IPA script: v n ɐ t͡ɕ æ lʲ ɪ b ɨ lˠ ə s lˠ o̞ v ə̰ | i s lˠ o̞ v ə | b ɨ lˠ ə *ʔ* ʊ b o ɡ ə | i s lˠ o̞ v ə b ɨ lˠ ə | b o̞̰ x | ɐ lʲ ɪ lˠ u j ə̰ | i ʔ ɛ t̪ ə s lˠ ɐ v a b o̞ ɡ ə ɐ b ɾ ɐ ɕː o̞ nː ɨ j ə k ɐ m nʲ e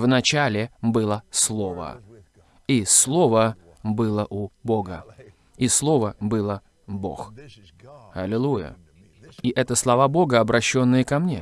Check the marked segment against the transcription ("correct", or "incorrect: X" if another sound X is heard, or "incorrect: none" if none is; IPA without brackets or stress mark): correct